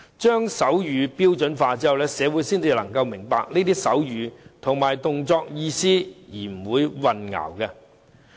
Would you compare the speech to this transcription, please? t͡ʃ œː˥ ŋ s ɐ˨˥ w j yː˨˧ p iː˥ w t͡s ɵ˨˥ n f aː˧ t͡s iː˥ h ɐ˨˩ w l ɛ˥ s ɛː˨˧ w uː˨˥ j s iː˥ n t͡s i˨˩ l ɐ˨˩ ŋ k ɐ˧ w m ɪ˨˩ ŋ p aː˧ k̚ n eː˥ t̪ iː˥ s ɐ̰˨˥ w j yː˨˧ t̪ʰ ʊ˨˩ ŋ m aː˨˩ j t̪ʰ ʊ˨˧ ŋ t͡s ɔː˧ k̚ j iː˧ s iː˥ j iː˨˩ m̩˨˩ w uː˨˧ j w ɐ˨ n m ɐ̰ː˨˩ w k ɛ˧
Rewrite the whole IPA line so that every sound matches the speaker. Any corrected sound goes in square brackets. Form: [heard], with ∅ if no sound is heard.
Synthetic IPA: t͡ʃ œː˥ ŋ s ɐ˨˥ w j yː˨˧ p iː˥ w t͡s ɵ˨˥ n f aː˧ t͡s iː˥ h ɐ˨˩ w l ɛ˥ s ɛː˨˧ w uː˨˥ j s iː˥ n t͡s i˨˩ l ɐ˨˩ ŋ k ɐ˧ w m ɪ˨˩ ŋ p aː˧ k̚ n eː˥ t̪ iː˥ s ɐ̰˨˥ w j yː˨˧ t̪ʰ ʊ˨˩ ŋ m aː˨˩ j [t̪] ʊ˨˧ ŋ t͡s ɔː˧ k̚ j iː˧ s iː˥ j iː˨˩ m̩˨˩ w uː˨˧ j w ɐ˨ n [ŋ] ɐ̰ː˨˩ w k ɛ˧

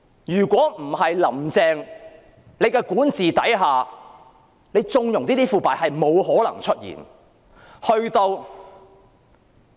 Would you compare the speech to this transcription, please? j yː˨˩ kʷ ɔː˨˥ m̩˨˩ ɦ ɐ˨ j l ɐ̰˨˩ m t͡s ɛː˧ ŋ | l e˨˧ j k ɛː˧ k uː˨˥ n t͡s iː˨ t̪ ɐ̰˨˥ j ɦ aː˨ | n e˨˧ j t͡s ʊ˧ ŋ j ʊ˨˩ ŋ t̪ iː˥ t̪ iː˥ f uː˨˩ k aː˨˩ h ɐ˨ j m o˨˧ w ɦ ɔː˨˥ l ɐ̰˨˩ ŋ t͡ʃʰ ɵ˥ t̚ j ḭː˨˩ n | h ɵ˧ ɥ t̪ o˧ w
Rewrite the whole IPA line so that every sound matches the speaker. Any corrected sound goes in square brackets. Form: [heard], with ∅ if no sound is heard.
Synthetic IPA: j yː˨˩ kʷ ɔː˨˥ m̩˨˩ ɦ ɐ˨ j l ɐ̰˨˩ m t͡s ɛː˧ ŋ | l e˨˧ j k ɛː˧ k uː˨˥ n t͡s iː˨ t̪ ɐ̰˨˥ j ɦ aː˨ | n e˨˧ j t͡s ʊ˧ ŋ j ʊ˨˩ ŋ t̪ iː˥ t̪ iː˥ f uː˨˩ [p] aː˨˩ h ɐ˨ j m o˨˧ w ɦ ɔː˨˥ l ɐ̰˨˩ ŋ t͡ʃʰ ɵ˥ t̚ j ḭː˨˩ n | h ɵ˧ ɥ t̪ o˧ w

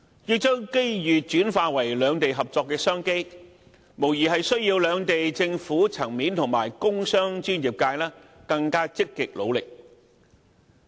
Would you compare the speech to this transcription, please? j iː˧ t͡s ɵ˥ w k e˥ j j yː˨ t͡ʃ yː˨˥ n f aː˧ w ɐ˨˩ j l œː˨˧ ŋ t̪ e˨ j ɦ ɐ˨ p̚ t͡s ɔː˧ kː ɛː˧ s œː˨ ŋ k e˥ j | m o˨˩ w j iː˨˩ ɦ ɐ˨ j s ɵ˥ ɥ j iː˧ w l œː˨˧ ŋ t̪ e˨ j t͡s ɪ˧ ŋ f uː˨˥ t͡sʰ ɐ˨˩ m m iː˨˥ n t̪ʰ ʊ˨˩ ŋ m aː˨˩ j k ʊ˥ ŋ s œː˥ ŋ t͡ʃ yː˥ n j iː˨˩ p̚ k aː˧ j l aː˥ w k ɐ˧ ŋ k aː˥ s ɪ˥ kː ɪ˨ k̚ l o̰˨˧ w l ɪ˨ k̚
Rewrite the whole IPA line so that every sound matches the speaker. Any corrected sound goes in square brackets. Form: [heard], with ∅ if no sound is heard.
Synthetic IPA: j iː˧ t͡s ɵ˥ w k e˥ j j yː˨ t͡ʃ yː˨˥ n f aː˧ w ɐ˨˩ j l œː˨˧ ŋ t̪ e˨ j ɦ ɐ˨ p̚ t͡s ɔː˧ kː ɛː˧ s [œː˥] ŋ k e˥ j | m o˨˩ w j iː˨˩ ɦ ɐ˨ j s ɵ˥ ɥ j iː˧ w l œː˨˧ ŋ t̪ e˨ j t͡s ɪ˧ ŋ f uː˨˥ t͡sʰ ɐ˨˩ [ŋ] m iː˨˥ n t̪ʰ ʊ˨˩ ŋ m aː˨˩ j k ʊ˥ ŋ s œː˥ ŋ t͡ʃ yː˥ n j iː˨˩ p̚ k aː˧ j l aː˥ [∅] k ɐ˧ ŋ k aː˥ [t͡s] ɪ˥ kː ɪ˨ k̚ l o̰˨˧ w l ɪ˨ k̚

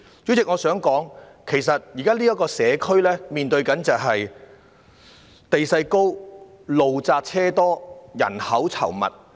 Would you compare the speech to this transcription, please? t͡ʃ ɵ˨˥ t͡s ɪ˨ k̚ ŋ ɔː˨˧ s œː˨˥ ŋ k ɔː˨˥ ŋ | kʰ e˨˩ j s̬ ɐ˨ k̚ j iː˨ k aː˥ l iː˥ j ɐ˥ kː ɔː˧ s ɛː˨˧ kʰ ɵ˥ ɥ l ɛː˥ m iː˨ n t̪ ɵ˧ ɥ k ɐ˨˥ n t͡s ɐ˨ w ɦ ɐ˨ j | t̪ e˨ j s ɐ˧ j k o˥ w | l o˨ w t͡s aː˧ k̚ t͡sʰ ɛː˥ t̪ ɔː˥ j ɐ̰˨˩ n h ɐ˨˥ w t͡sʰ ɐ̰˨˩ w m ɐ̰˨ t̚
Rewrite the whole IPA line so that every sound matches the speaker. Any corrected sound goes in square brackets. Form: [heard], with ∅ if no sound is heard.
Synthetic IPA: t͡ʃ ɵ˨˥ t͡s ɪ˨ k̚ ŋ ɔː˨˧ s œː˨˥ ŋ k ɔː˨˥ ŋ | kʰ e˨˩ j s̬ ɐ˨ [t̚] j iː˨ k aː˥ l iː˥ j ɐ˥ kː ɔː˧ s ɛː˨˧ kʰ ɵ˥ ɥ l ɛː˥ m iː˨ n t̪ ɵ˧ ɥ k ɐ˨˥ n t͡s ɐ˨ w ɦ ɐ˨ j | t̪ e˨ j s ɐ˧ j k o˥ w | l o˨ w t͡s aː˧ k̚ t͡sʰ ɛː˥ t̪ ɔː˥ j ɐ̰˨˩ n h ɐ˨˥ w t͡sʰ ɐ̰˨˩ w m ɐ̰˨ t̚

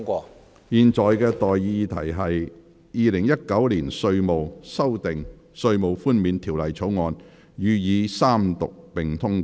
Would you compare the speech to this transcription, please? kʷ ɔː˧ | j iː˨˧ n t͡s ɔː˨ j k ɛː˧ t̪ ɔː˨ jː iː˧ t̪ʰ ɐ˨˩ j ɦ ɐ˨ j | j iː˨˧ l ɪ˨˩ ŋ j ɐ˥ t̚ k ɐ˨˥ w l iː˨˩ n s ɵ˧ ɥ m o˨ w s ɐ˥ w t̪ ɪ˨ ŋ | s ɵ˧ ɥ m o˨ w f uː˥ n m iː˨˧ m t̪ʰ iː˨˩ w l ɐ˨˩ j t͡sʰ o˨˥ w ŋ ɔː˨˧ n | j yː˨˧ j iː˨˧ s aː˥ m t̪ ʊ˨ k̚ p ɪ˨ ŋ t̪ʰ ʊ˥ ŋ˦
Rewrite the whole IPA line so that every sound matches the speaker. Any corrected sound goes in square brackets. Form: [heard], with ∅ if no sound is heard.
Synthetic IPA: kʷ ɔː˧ | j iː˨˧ n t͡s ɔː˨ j k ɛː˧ t̪ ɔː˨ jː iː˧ t̪ʰ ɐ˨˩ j ɦ ɐ˨ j | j iː˨˧ l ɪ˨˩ ŋ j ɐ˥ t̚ k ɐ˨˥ w l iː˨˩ n s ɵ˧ ɥ m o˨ w s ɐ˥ w t̪ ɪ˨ ŋ | s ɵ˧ ɥ m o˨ w f uː˥ n m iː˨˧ [n] t̪ʰ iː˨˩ w l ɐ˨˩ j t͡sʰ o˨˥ w ŋ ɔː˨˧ n | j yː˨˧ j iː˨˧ s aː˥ m t̪ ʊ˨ k̚ p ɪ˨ ŋ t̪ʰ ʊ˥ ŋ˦

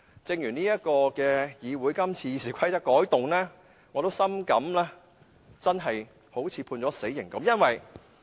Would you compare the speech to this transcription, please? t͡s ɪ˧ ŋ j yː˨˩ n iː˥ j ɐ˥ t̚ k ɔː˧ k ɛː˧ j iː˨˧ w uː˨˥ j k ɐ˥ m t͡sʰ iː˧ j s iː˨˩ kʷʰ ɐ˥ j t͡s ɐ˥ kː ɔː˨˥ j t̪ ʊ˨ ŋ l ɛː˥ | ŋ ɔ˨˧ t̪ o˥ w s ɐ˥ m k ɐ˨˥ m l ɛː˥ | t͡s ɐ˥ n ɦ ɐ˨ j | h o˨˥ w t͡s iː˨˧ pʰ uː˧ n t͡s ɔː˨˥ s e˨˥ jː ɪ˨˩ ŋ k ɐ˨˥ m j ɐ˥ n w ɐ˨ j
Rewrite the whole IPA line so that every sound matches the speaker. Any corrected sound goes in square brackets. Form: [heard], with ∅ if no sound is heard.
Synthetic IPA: t͡s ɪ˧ ŋ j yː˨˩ n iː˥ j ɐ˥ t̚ k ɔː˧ k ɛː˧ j iː˨˧ w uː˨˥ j k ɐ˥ m t͡sʰ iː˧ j s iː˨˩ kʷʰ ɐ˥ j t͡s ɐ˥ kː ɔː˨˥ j t̪ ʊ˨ ŋ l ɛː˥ | ŋ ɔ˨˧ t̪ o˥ w s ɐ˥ m k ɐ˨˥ m l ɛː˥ | t͡s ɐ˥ n ɦ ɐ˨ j | h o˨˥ w [t͡sʰ] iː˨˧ pʰ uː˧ n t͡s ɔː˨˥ s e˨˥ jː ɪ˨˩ ŋ k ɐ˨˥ m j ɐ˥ n w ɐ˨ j

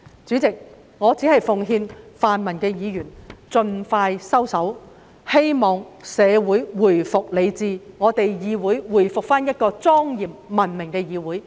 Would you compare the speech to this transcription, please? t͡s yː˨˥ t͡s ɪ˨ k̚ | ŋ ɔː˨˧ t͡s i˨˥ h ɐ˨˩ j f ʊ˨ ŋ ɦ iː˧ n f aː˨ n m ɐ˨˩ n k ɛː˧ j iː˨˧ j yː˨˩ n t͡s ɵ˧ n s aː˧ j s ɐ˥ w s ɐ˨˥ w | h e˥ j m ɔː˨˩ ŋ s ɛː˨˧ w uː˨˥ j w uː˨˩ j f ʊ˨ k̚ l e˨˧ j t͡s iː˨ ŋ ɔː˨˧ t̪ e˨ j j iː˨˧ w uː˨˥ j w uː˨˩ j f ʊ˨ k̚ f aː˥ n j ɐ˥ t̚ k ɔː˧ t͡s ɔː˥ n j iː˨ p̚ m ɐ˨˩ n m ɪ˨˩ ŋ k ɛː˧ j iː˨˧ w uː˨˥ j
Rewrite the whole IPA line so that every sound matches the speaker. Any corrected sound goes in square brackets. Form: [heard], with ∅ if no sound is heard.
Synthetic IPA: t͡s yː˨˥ t͡s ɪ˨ k̚ | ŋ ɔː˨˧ t͡s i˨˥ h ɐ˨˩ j f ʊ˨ ŋ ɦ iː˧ n f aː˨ n m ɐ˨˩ n k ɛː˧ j iː˨˧ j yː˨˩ n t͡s ɵ˧ n [f] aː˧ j s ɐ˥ w s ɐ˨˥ w | h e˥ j m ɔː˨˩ ŋ s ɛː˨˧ w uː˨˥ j w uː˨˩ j f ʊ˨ k̚ l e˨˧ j t͡s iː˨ ŋ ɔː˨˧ t̪ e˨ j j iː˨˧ w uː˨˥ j w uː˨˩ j f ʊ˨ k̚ f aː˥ n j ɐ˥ t̚ k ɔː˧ t͡s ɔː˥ [ŋ] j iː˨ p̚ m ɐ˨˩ n m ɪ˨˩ ŋ k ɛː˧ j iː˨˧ w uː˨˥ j

